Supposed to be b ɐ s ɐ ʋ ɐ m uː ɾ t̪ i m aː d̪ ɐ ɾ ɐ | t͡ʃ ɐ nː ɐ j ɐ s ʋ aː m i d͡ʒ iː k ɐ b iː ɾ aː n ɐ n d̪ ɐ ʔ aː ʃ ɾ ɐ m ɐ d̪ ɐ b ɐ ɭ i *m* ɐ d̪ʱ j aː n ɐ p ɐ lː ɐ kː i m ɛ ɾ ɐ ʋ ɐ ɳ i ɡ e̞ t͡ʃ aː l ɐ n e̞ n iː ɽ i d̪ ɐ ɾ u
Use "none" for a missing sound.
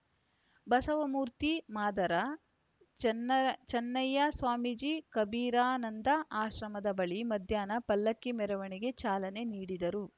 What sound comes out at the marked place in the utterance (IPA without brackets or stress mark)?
m